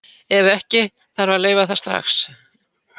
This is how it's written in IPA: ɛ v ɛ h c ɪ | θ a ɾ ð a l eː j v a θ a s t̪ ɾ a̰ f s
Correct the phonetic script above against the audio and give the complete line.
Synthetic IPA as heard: ɛ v ɛ h c ɪ | θ a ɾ v a l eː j v a θ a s t̪ ɾ a̰ x s